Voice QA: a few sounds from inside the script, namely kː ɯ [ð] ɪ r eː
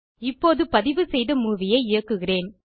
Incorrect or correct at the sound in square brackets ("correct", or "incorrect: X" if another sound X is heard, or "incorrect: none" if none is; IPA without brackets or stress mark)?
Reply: incorrect: ɣ